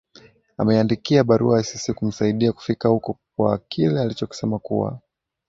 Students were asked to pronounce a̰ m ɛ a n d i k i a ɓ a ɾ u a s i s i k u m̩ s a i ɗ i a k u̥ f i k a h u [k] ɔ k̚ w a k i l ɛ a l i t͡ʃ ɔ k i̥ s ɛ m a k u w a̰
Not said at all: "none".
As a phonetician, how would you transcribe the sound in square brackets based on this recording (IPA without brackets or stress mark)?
k